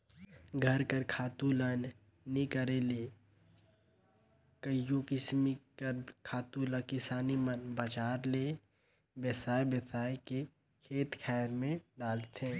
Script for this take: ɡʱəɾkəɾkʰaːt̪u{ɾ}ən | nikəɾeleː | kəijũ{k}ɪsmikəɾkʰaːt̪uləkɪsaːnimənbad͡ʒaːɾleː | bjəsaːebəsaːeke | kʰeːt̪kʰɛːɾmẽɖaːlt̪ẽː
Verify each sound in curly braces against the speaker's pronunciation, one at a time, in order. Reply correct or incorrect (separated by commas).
incorrect, correct